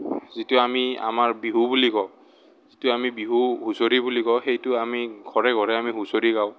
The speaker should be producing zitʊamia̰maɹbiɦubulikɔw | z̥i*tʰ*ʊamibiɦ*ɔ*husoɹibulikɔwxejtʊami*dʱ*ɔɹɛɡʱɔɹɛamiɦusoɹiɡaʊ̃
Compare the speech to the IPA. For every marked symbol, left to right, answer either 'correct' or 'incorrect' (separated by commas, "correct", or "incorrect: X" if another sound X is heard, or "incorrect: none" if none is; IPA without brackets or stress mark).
incorrect: t, incorrect: u, incorrect: ɡʱ